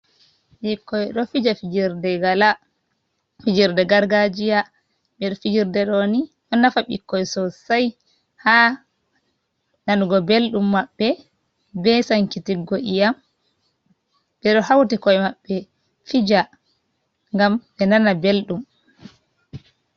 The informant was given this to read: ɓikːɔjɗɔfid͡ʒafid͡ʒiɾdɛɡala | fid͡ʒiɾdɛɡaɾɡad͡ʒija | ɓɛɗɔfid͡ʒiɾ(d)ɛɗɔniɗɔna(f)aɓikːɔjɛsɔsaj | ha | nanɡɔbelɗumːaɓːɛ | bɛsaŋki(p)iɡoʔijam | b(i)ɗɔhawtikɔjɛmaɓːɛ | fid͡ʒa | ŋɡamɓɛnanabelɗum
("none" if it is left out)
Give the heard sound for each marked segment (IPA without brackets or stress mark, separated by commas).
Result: d, f, t, ɛ